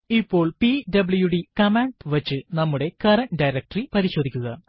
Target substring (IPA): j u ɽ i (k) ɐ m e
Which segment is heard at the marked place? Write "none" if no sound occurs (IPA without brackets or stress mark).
k